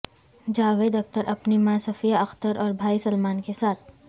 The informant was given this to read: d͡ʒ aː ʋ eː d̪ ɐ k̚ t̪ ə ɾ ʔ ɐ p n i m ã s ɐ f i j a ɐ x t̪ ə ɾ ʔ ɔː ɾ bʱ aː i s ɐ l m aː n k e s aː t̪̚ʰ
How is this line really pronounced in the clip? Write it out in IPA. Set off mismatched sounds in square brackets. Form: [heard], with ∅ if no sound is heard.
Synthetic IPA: d͡ʒ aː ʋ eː d̪ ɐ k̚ t̪ ə ɾ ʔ ɐ p n i m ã s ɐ f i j a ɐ x t̪ ə ɾ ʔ ɔː ɾ bʱ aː i s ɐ l m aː n k e s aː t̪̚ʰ